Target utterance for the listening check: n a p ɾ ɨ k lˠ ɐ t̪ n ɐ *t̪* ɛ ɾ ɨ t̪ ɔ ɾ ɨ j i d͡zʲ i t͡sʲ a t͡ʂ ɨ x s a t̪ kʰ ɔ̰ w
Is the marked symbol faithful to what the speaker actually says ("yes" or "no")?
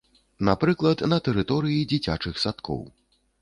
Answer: yes